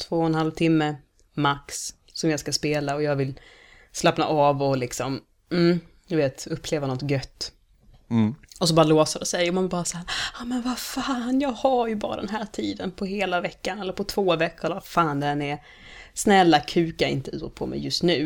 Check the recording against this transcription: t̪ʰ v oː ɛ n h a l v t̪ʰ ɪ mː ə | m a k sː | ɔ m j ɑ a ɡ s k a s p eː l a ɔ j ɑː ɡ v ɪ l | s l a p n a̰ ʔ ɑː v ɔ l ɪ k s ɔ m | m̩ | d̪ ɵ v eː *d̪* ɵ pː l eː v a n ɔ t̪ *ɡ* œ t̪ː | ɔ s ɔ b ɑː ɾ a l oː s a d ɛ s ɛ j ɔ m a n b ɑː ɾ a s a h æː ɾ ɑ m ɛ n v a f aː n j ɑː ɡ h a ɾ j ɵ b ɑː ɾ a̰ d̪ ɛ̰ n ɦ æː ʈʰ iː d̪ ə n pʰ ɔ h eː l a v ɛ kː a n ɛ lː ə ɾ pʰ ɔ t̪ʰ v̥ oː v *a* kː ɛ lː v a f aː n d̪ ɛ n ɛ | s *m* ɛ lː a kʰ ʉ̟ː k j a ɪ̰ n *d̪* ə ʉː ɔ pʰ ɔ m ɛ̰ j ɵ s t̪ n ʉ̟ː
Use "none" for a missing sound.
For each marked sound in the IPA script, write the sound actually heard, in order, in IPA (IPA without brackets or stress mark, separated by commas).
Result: t̪, ɡ, ɛ, n, t̪